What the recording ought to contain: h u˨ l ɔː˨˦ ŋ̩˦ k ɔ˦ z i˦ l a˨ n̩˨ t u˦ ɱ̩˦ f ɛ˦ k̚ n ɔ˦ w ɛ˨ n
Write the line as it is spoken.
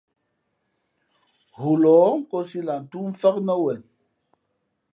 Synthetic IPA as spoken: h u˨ l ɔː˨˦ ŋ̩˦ k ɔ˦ s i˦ l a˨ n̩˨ t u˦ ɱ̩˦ f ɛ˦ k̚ n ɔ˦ w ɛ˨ n

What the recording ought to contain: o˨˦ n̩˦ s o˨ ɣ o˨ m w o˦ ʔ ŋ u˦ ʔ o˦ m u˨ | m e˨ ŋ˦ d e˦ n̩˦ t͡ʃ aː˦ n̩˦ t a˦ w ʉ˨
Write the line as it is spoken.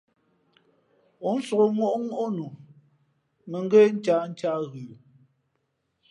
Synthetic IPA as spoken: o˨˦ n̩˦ s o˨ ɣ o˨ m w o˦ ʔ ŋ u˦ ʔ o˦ n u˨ | m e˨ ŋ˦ ɡ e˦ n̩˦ t͡ʃ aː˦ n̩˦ t͡ʃ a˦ ɣ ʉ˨

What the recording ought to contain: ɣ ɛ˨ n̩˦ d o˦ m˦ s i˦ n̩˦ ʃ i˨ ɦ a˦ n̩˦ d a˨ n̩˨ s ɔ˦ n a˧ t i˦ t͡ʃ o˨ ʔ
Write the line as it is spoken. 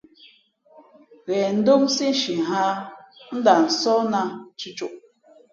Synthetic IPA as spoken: ɣ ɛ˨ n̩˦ d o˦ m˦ s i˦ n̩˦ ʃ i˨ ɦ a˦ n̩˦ d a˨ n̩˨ s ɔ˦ n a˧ t͡ʃ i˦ t͡ʃ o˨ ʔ

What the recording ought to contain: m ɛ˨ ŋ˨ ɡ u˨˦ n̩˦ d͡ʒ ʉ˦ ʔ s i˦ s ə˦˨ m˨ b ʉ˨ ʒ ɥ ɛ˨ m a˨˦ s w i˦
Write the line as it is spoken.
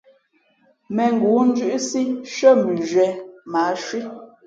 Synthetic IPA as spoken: m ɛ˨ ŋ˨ ɡ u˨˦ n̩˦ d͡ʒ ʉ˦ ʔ s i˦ ʃ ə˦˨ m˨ b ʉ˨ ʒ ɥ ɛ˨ m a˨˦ ʃ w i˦

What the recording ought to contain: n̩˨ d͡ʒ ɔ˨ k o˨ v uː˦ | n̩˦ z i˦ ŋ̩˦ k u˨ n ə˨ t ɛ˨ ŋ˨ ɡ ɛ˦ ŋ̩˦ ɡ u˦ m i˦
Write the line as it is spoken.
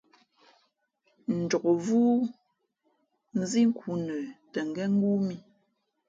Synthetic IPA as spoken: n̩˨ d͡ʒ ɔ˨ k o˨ v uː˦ | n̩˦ z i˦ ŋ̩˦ k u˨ n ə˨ t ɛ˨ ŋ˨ ɡ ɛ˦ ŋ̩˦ ɡ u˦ m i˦

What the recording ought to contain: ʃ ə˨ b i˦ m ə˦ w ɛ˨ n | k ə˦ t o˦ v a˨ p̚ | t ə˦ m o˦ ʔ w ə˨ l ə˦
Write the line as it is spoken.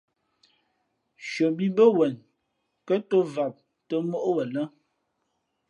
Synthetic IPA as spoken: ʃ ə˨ b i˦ b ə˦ w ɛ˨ n | k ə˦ t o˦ v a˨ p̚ | t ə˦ m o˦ ʔ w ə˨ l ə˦

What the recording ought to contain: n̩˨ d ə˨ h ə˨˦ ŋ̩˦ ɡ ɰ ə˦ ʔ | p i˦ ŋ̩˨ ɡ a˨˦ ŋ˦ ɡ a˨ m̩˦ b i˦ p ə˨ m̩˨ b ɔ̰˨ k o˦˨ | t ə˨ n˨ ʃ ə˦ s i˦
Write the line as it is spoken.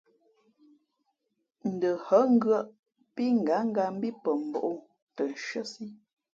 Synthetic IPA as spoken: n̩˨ d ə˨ h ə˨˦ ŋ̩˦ ɡ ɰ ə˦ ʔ | p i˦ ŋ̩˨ ɡ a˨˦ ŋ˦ ɡ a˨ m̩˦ b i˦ p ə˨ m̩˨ b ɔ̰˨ ʔ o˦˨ | t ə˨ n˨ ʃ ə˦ s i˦

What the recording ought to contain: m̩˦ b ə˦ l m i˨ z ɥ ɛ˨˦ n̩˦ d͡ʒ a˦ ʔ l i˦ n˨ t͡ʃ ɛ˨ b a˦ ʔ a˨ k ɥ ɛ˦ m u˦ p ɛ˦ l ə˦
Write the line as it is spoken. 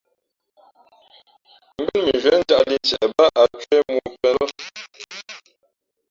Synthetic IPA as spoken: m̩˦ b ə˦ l m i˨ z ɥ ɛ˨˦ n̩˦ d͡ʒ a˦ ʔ l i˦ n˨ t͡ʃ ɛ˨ b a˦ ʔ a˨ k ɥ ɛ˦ m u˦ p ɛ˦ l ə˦

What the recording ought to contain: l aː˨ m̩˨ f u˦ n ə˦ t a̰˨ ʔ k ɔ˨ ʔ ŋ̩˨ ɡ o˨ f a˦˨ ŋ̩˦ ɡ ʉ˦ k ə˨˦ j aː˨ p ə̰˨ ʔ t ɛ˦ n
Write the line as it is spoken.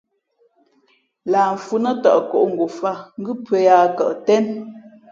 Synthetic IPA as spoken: l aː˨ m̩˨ f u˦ n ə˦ t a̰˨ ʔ k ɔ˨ ʔ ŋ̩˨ ɡ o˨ f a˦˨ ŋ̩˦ ɡ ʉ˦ p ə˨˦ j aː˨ k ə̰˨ ʔ t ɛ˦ n

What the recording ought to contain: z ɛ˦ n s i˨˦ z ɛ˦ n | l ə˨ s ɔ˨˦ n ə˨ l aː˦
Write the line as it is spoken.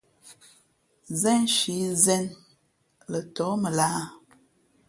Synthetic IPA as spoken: z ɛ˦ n ʃ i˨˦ z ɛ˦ n | l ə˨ t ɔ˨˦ m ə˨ l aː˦

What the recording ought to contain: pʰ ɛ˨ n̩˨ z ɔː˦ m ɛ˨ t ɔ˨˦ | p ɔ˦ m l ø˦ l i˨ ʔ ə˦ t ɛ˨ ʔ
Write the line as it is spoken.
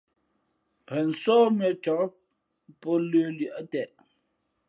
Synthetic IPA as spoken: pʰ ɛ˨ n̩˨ s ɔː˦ m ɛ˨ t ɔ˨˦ | p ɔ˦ l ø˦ l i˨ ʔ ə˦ t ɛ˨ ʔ

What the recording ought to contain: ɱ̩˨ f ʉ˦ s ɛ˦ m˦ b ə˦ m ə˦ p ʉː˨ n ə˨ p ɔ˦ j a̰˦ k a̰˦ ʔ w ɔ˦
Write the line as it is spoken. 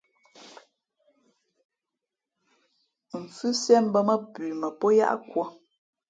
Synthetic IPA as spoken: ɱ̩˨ f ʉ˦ s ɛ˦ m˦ b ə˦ m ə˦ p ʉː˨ m ə˨ p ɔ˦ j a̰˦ ʔ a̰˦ k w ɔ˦

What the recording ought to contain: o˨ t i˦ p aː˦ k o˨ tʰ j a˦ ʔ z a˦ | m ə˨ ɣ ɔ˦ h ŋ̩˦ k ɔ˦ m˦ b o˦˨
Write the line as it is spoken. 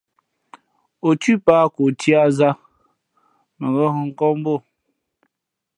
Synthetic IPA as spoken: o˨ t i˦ p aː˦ k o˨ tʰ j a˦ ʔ z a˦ | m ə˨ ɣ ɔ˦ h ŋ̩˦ k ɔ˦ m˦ b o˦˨

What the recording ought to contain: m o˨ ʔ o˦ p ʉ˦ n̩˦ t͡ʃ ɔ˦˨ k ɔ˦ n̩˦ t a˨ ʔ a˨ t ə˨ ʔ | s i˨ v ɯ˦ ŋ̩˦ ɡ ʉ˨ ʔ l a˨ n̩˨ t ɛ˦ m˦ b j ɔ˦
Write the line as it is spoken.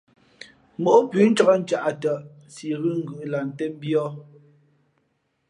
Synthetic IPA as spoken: m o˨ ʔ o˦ p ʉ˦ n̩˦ t͡ʃ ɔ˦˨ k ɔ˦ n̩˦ t͡ʃ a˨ ʔ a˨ t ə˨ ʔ | s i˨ ɣ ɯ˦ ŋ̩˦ ɡ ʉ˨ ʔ l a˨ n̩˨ t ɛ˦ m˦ b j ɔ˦

